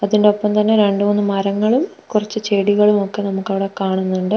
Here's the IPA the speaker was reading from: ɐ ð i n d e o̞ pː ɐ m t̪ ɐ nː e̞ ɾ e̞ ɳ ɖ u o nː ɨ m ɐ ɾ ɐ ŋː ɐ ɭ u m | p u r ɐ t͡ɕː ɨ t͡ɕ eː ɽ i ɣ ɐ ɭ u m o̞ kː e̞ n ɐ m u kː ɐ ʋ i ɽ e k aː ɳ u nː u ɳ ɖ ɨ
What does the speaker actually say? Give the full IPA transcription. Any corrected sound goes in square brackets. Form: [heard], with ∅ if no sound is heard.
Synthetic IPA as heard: ɐ ð i n d e o̞ pː ɐ m t̪ ɐ nː e̞ ɾ e̞ ɳ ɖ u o nː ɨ m ɐ ɾ ɐ ŋː ɐ ɭ u m | [k] u r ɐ t͡ɕː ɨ t͡ɕ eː ɽ i ɣ ɐ ɭ u m o̞ kː e̞ n ɐ m u kː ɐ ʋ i ɽ e k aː ɳ u nː u ɳ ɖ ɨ